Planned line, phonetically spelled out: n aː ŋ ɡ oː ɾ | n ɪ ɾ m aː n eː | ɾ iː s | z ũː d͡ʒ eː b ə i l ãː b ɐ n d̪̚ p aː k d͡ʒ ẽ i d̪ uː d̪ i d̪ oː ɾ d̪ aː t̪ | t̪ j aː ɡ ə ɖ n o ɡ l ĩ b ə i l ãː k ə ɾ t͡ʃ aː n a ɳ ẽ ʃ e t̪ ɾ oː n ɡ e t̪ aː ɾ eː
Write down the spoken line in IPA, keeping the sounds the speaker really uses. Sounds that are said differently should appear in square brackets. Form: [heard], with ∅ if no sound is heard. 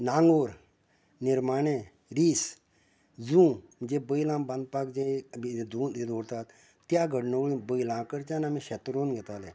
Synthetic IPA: n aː ŋ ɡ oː ɾ | n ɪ ɾ m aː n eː | ɾ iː s | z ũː d͡ʒ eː b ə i l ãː b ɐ n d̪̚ p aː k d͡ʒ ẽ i d̪ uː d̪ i d̪ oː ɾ [t̪] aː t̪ | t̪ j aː ɡ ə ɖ n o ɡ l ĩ b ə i l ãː k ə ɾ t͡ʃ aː n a [m] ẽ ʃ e t̪ ɾ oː n ɡ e t̪ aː [l] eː